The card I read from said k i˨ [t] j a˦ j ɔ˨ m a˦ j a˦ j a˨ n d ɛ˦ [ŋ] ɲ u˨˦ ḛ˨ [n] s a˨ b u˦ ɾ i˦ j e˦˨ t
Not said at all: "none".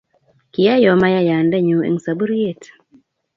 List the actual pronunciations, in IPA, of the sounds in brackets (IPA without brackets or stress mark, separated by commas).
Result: none, none, ŋ